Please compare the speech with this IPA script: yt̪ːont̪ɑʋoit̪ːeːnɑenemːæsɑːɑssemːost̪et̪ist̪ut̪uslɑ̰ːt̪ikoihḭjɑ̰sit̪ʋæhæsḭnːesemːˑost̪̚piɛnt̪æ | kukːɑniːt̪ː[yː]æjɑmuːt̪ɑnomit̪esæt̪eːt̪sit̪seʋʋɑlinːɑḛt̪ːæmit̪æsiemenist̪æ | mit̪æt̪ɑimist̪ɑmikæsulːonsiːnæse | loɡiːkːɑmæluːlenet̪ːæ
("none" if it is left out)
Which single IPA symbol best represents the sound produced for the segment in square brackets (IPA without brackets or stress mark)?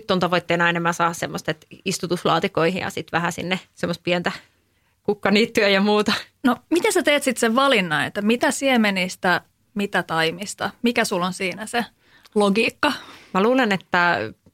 y